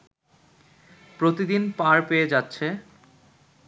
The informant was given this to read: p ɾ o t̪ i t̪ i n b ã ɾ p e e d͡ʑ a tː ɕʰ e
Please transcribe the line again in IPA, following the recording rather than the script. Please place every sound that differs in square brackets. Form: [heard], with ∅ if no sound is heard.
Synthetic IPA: p ɾ o t̪ i [d̪] i n [p] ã ɾ p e e d͡ʑ a tː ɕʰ e